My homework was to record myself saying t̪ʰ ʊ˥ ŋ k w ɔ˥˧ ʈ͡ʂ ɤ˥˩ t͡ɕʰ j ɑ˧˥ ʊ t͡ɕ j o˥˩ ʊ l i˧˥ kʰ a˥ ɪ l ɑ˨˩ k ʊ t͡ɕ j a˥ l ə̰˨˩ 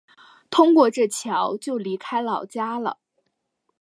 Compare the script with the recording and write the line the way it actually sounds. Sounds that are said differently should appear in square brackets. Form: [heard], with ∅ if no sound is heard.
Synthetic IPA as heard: t̪ʰ ʊ˥ ŋ k w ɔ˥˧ ʈ͡ʂ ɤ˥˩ t͡ɕʰ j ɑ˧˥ ʊ t͡ɕ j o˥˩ ʊ l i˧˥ kʰ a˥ ɪ l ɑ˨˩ [∅] ʊ t͡ɕ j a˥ l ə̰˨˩